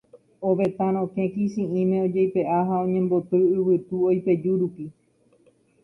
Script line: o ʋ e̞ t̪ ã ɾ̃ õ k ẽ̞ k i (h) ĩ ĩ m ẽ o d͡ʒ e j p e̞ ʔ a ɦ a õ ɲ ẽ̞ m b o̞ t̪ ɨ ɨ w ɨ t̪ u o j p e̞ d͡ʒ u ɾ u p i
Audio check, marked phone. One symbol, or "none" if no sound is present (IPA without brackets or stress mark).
s